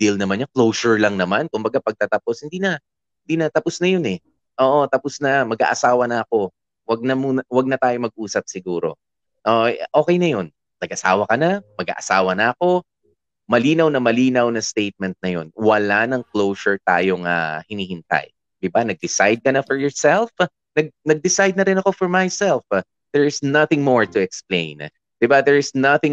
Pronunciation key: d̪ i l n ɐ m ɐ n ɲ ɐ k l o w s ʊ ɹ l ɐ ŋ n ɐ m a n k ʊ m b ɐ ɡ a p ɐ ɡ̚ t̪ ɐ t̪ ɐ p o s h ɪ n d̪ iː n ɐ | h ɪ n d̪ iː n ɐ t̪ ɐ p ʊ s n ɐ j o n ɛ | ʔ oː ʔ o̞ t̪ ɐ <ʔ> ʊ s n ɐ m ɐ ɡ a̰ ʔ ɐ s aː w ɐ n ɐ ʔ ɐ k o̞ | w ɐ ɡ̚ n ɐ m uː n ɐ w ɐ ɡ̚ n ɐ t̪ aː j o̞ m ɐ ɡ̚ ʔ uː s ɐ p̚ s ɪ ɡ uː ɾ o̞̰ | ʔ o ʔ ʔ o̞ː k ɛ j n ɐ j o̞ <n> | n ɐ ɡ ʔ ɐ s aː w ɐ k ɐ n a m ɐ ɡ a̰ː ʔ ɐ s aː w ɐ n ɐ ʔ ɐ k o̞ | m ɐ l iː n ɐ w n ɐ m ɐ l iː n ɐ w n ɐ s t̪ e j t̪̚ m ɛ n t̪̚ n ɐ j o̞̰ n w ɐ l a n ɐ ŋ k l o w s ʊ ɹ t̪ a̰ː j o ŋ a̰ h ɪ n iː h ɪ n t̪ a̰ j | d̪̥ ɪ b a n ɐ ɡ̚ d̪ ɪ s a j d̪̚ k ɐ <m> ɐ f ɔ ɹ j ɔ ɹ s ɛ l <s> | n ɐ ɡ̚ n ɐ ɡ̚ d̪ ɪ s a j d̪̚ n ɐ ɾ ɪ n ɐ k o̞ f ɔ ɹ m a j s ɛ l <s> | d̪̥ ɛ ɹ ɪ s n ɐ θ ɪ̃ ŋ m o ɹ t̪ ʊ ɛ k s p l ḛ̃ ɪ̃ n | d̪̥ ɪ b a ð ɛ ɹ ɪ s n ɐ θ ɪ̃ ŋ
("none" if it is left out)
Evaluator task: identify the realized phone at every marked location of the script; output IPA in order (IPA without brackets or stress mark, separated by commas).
p, n, n, f, f